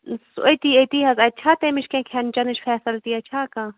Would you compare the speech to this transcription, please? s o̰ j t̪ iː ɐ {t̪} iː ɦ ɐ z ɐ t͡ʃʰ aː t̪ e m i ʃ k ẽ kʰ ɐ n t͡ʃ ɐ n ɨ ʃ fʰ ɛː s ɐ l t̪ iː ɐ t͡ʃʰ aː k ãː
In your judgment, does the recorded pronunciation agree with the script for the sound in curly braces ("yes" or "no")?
yes